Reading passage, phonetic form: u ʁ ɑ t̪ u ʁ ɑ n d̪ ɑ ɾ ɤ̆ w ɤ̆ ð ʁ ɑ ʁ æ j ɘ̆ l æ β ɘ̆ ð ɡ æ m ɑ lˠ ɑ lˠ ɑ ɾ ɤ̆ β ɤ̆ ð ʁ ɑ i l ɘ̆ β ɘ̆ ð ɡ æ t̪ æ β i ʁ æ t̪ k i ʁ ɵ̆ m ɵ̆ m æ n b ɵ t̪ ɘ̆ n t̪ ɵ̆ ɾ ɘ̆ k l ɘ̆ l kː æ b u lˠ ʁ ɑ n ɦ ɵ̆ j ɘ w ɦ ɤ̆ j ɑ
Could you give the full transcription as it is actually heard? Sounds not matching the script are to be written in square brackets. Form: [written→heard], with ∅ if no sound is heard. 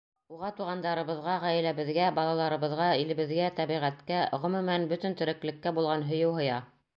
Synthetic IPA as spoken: u ʁ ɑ t̪ u ʁ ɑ n d̪ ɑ ɾ ɤ̆ [w→β] ɤ̆ ð ʁ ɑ ʁ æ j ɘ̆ l æ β ɘ̆ ð ɡ æ [m→b] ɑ lˠ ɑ lˠ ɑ ɾ ɤ̆ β ɤ̆ ð ʁ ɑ i l ɘ̆ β ɘ̆ ð ɡ æ t̪ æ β i ʁ æ t̪ k [i→æ] ʁ ɵ̆ m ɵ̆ m æ n b ɵ t̪ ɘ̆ n t̪ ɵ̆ ɾ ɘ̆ k l ɘ̆ [l→∅] kː æ b u lˠ ʁ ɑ n ɦ ɵ̆ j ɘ w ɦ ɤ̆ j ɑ